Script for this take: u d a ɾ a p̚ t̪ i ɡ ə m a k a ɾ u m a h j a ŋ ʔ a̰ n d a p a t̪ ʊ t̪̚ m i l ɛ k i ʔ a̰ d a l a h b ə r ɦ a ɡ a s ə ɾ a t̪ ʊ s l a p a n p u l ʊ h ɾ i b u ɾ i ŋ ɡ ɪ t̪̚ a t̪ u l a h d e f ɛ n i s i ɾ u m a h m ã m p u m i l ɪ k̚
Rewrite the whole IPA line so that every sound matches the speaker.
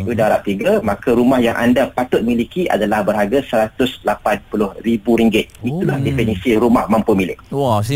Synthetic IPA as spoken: u d a ɾ a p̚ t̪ i ɡ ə m a k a ɾ u m a h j a ŋ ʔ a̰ n d a p a t̪ ʊ t̪̚ m i l i k i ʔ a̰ d a l a h b ə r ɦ a ɡ a s ə ɾ a t̪ ʊ s l a p a n p u l ʊ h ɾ i b u ɾ i ŋ ɡ ɪ t̪̚ i t̪ u l a h d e f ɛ n i s i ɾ u m a h m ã m p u m i l ɪ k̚